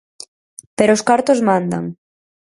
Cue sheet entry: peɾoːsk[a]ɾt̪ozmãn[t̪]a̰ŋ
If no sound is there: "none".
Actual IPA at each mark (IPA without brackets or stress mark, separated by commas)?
a, d̪